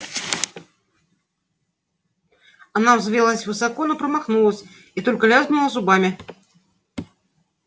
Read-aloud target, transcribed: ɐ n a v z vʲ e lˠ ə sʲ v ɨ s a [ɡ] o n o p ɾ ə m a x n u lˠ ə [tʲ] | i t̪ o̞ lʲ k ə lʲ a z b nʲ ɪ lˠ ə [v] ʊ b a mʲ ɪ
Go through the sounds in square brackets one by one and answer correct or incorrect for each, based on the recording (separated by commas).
incorrect, incorrect, incorrect